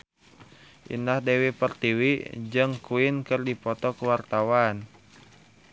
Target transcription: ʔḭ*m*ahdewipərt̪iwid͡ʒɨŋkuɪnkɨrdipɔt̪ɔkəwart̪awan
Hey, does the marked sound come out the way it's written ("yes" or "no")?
no